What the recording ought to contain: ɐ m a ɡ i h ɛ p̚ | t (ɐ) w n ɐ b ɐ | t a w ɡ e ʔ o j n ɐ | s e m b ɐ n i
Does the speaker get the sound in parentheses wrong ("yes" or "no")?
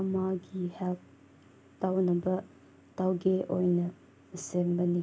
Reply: yes